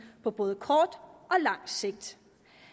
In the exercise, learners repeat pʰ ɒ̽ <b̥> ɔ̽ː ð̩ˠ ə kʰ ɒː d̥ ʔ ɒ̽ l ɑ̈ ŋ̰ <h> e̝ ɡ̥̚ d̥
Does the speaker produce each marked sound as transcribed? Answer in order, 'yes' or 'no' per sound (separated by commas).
yes, no